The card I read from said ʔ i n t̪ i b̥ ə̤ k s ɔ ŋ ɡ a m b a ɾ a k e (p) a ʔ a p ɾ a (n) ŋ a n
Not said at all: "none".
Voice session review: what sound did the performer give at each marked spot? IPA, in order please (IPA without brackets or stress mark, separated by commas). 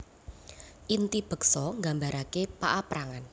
p, none